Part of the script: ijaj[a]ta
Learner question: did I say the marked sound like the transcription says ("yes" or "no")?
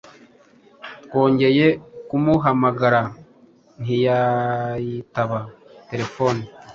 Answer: no